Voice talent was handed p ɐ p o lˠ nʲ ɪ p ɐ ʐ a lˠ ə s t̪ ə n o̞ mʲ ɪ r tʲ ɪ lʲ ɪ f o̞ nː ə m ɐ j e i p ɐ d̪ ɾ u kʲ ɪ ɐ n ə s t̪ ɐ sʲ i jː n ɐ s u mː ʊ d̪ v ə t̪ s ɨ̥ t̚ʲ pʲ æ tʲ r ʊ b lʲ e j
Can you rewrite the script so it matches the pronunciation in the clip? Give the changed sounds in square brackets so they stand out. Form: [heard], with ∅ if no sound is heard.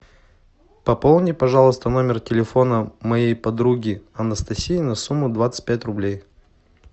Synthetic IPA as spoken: p ɐ p o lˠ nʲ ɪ p ɐ ʐ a lˠ ə s t̪ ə n o̞ mʲ ɪ r tʲ ɪ lʲ ɪ f o̞ [n] ə m ɐ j e [j] p ɐ d̪ ɾ u [ɡʲ] ɪ ɐ n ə s t̪ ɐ sʲ i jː n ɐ s u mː ʊ d̪ v [a] t̪ s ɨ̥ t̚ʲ pʲ æ tʲ r ʊ b lʲ e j